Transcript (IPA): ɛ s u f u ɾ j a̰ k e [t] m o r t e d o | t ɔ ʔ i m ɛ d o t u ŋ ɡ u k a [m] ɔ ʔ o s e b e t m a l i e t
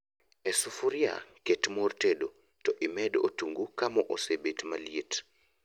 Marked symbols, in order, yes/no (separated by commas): yes, yes